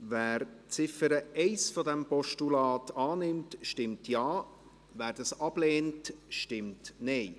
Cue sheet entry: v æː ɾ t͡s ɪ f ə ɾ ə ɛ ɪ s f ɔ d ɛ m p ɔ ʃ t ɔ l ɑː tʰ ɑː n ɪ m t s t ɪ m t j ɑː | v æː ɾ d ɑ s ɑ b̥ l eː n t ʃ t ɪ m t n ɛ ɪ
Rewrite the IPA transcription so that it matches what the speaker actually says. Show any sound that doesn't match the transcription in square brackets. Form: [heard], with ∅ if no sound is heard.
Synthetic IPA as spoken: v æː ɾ t͡s ɪ f ə ɾ ə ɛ ɪ s f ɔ d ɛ m p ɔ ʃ t [u] l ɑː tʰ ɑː n ɪ m t [ʃ] t ɪ m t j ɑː | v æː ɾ d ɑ s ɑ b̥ l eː n t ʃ t ɪ m t n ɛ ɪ